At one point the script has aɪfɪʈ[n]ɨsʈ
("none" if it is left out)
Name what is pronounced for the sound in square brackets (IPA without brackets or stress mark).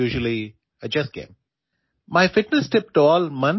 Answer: n